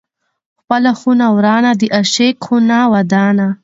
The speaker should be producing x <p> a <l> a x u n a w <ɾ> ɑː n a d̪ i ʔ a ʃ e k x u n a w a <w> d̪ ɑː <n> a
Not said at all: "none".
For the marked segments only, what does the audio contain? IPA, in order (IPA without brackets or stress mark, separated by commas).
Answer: p, l, ɾ, none, n